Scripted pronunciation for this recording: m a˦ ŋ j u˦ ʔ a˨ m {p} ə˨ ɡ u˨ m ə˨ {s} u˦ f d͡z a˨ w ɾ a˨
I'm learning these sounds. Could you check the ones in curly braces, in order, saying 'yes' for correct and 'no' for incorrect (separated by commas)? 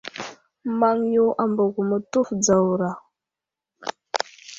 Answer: no, no